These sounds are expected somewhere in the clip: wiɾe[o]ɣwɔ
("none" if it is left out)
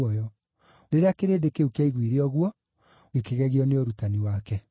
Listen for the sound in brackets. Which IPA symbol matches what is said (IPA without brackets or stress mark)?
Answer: ɔ